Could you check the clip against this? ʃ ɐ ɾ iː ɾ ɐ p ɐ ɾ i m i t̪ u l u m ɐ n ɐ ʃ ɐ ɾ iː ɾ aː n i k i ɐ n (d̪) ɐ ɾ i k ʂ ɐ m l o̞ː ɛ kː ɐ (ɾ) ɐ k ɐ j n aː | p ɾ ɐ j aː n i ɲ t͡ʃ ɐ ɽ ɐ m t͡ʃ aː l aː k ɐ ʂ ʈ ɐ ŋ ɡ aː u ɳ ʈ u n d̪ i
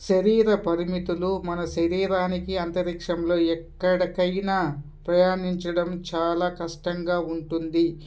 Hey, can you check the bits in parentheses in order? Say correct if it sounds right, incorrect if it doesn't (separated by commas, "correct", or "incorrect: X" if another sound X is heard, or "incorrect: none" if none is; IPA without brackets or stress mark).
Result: incorrect: t̪, incorrect: ɽ